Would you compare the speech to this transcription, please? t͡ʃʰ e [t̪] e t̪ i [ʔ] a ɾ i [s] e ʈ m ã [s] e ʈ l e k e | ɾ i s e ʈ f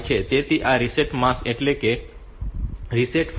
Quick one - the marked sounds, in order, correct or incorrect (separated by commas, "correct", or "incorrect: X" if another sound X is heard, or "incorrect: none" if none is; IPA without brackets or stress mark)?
correct, correct, correct, correct